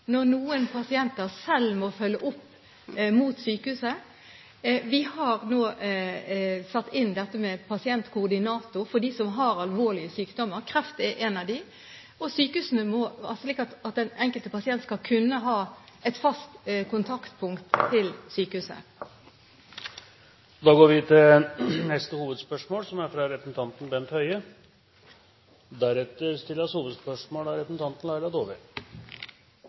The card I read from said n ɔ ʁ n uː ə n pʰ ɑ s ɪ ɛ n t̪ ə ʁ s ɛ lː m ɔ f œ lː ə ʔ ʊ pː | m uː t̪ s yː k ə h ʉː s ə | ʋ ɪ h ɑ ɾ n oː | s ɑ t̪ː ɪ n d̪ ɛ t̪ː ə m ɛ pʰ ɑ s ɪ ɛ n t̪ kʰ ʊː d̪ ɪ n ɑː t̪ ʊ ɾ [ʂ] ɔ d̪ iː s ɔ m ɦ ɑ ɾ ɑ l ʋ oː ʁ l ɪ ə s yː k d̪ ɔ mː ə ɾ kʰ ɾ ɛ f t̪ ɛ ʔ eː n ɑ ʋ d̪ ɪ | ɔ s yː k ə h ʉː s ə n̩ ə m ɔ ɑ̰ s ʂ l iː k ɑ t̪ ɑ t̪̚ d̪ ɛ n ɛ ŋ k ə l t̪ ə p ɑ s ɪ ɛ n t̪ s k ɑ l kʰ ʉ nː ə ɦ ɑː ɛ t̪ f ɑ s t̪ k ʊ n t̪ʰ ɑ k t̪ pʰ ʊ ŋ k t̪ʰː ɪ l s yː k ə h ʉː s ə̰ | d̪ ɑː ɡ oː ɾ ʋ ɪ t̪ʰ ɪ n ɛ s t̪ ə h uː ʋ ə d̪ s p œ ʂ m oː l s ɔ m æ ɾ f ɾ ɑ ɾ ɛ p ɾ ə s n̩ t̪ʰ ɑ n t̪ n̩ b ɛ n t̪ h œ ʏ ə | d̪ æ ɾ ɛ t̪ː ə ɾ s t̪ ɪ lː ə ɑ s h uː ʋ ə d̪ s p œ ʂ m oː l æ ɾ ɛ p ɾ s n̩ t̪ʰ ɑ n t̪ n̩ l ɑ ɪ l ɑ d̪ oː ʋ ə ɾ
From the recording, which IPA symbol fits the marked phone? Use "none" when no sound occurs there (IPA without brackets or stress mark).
f